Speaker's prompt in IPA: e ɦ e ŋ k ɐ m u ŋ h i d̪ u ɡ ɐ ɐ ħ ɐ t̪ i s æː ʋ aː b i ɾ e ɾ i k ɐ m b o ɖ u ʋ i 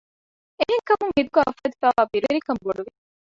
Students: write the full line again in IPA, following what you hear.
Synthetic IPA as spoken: e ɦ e ŋ k ɐ m u ŋ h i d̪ u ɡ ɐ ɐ f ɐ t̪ i f æː ʋ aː b i ɾ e ɾ i k ɐ m b o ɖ u ʋ i